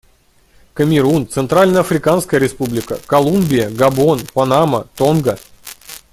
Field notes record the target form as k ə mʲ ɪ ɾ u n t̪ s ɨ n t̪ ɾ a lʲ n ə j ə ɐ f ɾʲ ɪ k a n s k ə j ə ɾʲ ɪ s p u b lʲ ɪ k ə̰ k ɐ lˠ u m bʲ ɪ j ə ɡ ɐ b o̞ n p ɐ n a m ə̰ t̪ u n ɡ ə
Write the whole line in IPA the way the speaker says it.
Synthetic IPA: k ə mʲ ɪ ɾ u n t̪ s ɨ n t̪ ɾ a lʲ n ə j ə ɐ f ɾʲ ɪ k a n s k ə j ə ɾʲ ɪ s p u b lʲ ɪ k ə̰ k ɐ lˠ u m bʲ ɪ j ə ɡ ɐ b o̞ n p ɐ n a m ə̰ t̪ o n ɡ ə